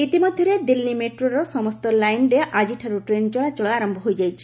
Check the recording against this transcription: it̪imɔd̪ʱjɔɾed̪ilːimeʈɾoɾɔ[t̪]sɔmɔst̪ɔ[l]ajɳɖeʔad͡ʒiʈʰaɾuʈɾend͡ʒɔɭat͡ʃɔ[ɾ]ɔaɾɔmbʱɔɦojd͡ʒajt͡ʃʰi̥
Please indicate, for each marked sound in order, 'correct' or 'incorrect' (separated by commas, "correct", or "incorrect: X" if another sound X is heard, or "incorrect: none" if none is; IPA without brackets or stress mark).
incorrect: none, correct, incorrect: ɭ